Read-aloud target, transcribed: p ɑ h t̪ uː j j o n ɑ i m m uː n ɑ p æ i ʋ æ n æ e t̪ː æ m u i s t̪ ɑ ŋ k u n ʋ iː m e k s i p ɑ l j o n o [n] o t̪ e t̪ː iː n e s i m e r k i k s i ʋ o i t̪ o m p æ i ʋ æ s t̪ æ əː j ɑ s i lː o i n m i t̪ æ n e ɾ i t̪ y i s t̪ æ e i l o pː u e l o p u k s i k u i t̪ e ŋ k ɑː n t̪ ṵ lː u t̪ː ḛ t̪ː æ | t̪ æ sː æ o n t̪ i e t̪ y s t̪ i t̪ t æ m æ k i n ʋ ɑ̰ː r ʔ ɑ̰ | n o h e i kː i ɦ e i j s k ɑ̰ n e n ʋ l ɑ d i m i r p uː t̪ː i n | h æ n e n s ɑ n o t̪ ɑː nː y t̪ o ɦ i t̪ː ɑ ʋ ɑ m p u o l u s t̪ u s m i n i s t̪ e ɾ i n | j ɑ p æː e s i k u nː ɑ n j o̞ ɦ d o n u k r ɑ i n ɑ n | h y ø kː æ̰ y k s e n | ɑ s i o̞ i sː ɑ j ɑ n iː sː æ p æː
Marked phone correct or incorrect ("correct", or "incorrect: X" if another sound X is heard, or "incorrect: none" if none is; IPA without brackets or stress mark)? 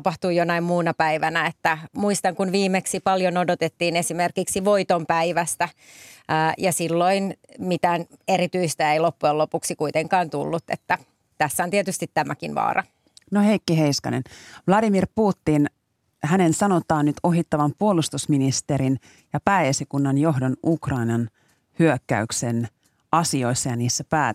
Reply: incorrect: d